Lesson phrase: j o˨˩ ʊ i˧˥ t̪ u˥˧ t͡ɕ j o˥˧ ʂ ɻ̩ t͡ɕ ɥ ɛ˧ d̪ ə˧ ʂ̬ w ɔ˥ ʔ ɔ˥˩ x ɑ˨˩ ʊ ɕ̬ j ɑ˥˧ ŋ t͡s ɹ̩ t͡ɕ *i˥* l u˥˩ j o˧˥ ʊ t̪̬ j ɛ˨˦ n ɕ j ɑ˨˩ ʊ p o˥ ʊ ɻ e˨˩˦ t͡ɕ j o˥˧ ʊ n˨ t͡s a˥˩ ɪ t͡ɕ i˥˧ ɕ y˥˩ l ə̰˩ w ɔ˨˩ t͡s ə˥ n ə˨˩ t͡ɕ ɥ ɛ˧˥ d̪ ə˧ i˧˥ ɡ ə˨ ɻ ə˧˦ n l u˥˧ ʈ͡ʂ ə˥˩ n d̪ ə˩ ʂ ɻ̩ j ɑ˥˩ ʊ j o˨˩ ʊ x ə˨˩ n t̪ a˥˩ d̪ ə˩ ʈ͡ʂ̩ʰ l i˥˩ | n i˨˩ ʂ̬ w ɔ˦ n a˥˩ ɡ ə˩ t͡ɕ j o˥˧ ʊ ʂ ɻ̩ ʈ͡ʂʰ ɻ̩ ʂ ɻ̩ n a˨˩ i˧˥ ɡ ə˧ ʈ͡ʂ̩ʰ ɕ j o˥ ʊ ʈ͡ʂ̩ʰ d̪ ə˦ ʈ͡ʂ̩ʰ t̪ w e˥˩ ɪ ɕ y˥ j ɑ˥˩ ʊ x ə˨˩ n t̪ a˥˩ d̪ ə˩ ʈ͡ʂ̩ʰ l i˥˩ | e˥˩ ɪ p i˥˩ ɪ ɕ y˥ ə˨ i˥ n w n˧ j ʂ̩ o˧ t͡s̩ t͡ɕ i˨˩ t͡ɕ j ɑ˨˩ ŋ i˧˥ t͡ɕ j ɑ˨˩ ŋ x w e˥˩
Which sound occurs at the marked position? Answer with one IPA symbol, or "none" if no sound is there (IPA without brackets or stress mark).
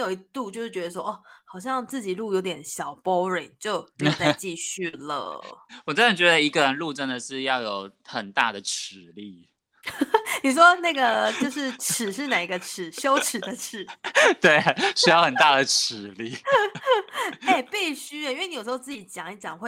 i˨˩